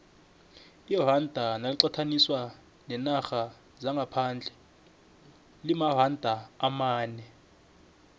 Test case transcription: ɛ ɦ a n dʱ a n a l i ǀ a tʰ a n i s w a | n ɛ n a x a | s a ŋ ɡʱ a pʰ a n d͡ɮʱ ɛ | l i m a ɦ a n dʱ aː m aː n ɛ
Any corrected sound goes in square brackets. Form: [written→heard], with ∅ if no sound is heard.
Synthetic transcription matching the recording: [ɛ→i] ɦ a n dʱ a n a l i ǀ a tʰ a n i s w a | n ɛ n a x a | [s→z] a ŋ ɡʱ a pʰ a n d͡ɮʱ ɛ | l i m a ɦ a n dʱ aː m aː n ɛ